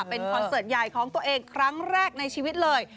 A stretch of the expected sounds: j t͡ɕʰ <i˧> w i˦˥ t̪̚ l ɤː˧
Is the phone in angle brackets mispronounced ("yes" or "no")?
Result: yes